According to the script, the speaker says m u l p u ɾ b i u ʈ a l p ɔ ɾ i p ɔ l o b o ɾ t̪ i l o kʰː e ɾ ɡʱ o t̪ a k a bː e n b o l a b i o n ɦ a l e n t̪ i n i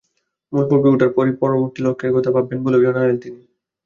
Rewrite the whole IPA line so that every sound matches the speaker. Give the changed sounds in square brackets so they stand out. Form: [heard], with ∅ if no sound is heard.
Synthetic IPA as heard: m u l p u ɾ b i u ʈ a [ɾ] p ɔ ɾ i p ɔ [ɾ] o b o ɾ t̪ i l o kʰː e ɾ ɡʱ o t̪ a [p] a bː e n b o l [e] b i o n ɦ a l e n t̪ i n i